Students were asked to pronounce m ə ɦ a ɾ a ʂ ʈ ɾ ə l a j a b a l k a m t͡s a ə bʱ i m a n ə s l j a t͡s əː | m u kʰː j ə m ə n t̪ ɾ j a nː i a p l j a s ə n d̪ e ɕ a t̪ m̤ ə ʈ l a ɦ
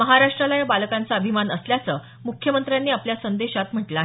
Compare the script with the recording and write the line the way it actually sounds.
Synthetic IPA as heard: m ə ɦ a ɾ a ʂ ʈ ɾ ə l a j a b a l k a n t͡s a ə bʱ i m a n ə s l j a t͡s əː | m u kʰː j ə m ə n t̪ ɾ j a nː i a p l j a s ə n d̪ e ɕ a t̪ m̤ ə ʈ l a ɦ